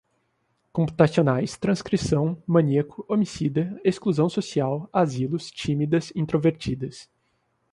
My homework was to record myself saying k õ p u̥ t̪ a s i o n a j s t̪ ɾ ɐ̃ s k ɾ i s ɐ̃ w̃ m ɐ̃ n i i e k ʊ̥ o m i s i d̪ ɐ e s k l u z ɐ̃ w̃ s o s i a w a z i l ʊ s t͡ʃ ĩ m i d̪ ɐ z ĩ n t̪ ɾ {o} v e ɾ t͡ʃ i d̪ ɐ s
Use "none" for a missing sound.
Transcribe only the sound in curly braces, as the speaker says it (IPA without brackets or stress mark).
o